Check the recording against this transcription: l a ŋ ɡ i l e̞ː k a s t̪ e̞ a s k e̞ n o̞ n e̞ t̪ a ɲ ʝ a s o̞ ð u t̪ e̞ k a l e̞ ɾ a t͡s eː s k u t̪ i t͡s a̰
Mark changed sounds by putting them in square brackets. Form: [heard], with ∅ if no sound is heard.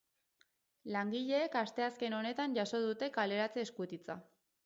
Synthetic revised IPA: l a ŋ ɡ i [ʎ] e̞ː k a s t̪ e̞ a s k e̞ n o̞ n e̞ t̪ a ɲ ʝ a s o̞ ð u t̪ e̞ k a l e̞ ɾ a t͡s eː s k u t̪ i t͡s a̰